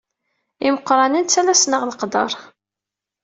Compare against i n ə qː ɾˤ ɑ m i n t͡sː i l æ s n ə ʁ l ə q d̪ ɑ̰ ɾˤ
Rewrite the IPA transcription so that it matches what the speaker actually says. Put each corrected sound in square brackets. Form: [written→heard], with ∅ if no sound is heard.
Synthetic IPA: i [n→m] ə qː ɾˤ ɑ [m→n] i n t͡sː [i→æ] l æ s n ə ʁ l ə q d̪ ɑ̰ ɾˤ